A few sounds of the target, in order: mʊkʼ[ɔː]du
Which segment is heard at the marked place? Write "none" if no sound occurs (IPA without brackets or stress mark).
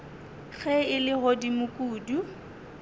uː